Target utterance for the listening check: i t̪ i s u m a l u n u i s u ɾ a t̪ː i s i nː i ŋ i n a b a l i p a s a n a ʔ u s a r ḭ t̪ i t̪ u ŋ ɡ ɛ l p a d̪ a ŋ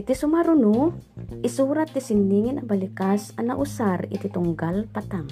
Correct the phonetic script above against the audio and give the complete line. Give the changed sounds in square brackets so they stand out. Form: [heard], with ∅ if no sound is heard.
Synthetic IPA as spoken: i t̪ i s u m a [ɾ] u n u i s u ɾ a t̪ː i s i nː i ŋ i n a b a l i [k] a s a n a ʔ u s a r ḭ t̪ i t̪ u ŋ ɡ [a] l p a [t̪] a ŋ